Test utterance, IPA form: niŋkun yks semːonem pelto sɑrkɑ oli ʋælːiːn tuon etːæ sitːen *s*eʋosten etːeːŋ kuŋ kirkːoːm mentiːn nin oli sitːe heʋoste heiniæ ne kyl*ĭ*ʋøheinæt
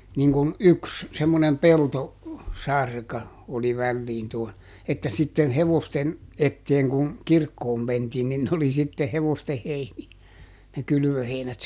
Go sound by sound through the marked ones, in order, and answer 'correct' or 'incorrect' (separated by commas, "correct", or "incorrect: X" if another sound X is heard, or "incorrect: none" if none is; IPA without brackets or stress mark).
incorrect: h, incorrect: y̆